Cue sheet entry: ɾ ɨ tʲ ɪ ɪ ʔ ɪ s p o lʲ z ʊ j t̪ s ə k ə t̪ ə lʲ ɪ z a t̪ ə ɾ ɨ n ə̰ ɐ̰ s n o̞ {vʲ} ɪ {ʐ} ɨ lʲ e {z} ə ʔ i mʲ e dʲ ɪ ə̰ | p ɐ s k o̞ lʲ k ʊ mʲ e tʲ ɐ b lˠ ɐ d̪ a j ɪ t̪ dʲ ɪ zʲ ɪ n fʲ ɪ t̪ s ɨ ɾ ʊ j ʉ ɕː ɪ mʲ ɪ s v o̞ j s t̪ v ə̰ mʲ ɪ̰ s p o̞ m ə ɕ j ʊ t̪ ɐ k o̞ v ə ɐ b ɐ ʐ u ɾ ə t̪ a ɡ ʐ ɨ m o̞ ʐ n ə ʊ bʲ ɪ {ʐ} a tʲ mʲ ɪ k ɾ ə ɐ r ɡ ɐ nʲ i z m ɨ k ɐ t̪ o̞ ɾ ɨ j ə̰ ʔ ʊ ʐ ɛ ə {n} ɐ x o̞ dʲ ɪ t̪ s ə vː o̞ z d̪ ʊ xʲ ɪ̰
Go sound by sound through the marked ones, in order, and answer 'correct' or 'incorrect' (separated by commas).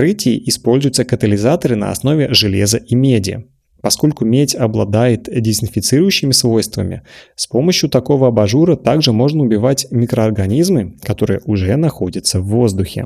correct, correct, correct, incorrect, correct